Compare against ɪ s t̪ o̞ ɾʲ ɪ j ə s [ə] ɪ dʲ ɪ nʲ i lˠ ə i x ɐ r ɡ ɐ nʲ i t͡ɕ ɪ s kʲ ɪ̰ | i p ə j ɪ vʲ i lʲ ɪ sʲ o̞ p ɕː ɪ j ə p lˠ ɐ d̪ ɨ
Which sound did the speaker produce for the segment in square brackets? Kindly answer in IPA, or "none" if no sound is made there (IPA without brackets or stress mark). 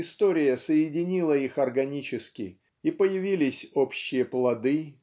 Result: ə